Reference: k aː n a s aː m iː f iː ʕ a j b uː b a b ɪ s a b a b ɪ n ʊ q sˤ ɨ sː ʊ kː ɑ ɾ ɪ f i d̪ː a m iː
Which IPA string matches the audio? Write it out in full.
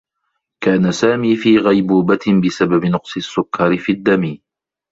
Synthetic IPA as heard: k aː n a s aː m iː f iː ɣ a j b uː b a b ɪ s a b a b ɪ n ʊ q sˤ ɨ sː ʊ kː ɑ ɾ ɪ f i d̪ː a m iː